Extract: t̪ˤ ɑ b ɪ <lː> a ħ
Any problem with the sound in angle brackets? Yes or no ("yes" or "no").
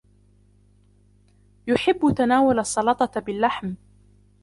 no